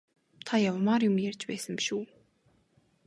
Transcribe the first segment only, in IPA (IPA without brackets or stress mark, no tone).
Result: t̪ʰ